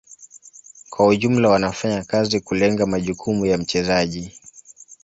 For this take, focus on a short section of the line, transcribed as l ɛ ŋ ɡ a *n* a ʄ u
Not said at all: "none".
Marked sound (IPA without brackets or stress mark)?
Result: m